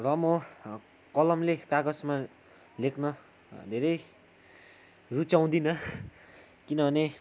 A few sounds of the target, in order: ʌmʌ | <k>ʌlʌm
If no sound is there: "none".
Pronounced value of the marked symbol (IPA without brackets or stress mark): k